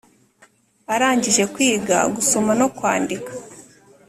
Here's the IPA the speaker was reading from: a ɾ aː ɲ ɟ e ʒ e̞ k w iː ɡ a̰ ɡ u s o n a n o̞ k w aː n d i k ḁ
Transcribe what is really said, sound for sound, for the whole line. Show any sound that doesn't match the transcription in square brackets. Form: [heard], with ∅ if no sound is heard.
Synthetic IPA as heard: a ɾ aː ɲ ɟ [i] ʒ e̞ k w iː ɡ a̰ ɡ u s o [m] a n o̞ k w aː n d i k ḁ